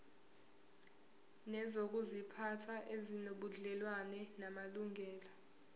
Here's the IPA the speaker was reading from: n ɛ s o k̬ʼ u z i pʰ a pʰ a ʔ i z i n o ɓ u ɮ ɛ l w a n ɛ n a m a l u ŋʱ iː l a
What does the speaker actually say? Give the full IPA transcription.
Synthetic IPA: n ɛ z o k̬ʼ u z i pʰ a tʰ a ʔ e z i n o ɓ u ɮ ɛ l w a n ɛ n a m a l u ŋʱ ɛː l a